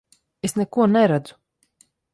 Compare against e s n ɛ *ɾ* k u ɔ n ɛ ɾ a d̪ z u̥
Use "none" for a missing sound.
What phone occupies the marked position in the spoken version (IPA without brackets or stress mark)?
none